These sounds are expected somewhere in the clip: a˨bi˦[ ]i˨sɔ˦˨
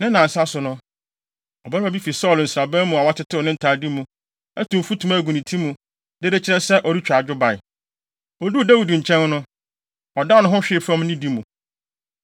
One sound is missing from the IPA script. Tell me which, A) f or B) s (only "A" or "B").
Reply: A